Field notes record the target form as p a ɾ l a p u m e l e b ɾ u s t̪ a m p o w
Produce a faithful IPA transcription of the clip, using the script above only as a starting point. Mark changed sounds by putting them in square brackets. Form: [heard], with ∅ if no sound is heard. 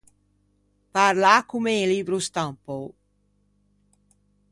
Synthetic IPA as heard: p a ɾ l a [k] u m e l [i] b ɾ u s t̪ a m p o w